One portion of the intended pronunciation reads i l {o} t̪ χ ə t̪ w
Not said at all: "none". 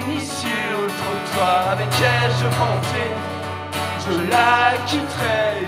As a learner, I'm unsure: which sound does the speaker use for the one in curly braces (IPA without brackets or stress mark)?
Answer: o